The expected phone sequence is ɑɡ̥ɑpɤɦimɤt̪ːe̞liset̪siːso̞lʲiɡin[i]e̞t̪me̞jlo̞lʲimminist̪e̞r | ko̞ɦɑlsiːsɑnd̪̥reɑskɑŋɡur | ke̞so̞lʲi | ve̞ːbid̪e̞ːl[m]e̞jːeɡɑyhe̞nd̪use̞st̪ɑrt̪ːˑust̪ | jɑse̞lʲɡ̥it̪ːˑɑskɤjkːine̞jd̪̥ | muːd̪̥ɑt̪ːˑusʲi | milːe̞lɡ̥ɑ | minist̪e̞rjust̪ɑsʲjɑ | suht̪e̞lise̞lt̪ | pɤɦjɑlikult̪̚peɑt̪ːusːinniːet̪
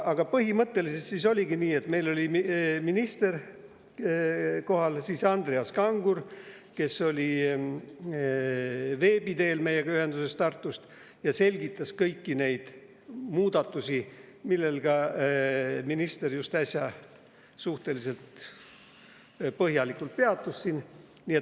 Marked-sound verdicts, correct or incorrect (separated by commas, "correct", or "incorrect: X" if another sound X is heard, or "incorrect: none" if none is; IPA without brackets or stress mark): incorrect: iː, correct